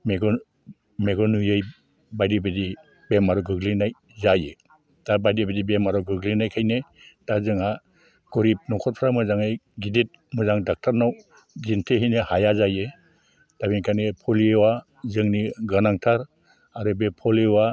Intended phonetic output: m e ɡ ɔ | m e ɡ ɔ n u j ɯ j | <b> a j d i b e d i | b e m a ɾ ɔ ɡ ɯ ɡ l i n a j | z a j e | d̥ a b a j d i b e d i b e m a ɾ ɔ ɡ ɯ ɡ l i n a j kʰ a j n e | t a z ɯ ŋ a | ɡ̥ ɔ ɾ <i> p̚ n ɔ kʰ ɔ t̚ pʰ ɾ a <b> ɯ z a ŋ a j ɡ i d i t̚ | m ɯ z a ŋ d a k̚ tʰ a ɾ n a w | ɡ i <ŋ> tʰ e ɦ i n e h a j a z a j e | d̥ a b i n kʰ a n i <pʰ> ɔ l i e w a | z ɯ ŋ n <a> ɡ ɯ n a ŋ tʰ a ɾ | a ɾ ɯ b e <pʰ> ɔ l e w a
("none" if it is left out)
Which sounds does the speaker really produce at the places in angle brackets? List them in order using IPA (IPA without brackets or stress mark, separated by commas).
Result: b, i, m, n, pʰ, i, pʰ